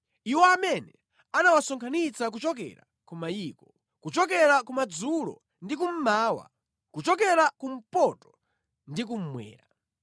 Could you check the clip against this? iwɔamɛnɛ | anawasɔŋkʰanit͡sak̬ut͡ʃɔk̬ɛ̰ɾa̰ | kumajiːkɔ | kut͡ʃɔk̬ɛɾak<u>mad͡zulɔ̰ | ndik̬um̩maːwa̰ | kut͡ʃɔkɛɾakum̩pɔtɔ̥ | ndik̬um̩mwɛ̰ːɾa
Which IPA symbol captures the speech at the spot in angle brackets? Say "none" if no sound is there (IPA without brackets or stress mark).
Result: u